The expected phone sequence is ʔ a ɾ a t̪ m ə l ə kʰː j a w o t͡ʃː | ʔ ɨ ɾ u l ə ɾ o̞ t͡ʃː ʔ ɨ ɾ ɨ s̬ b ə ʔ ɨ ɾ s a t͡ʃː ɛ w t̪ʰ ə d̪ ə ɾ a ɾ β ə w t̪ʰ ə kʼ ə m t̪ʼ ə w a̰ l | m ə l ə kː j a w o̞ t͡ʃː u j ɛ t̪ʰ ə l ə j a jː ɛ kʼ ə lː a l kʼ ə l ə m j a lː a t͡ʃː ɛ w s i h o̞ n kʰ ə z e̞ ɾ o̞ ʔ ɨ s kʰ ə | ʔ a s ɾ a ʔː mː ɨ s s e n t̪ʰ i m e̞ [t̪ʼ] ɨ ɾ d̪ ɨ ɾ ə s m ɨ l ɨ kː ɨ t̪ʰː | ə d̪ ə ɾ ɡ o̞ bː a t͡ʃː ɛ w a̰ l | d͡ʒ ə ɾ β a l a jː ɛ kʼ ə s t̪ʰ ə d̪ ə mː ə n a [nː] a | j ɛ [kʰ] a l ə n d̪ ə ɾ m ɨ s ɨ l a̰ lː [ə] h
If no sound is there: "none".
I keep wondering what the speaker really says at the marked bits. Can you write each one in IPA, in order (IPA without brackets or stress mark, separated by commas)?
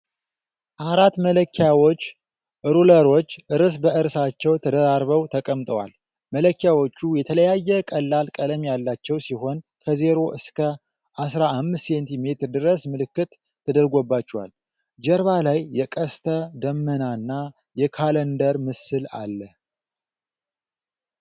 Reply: t̪, nː, kʰ, ə